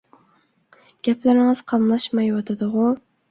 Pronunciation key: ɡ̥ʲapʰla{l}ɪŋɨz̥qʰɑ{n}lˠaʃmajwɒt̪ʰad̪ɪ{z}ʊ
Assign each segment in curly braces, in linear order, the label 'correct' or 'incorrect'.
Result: incorrect: ɾ, incorrect: m, incorrect: ʁ

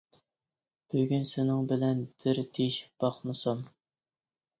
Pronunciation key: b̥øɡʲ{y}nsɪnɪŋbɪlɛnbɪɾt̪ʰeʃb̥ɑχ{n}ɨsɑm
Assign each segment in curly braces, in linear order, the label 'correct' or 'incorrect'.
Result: correct, incorrect: m

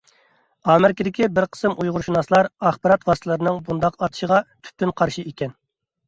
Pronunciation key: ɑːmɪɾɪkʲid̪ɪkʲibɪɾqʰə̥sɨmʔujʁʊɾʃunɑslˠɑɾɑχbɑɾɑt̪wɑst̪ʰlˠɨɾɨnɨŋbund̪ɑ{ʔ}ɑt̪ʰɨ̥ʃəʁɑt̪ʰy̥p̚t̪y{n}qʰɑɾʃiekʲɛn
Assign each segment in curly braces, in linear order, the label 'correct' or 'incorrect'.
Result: incorrect: q, correct

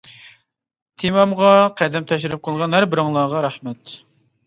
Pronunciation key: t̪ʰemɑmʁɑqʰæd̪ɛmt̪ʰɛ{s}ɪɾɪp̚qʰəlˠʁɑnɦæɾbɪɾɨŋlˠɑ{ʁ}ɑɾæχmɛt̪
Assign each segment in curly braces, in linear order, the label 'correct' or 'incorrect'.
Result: incorrect: ʃ, correct

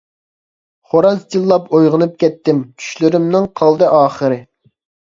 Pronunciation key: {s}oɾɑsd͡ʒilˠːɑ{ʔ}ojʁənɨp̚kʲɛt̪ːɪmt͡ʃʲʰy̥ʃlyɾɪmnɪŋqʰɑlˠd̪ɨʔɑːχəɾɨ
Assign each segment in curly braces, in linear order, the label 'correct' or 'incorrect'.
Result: incorrect: χ, incorrect: p

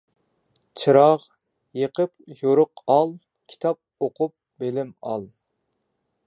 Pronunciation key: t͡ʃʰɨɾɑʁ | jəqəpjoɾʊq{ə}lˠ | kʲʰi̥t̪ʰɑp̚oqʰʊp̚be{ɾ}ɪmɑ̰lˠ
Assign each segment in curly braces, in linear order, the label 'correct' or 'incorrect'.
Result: incorrect: ɑ, incorrect: l

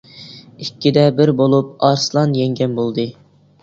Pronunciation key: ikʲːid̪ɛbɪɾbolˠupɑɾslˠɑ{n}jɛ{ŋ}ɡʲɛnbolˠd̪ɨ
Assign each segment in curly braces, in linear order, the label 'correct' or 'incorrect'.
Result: correct, correct

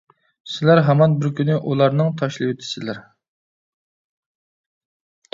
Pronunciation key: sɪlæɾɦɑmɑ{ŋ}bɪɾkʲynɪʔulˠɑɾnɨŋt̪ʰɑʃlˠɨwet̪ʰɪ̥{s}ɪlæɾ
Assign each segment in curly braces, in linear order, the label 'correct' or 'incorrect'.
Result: incorrect: n, correct

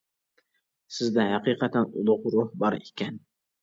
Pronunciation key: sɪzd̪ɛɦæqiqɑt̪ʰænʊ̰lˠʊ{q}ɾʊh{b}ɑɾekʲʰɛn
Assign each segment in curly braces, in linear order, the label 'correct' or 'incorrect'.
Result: correct, correct

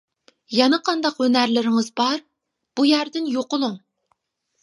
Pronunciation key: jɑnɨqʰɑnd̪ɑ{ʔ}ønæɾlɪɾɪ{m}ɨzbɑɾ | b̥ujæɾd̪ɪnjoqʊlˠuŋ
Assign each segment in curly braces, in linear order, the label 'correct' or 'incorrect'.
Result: incorrect: q, incorrect: ŋ

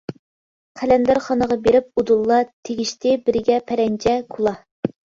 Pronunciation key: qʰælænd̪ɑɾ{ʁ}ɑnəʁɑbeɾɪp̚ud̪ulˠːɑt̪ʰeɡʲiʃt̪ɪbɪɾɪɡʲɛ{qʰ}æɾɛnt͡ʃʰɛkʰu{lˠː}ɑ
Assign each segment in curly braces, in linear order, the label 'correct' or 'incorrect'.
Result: incorrect: χ, incorrect: pʰ, incorrect: lˠ

